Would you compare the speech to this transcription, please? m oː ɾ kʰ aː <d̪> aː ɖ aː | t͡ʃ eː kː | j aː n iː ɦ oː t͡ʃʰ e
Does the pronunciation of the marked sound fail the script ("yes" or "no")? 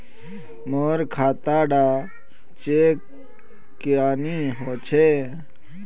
yes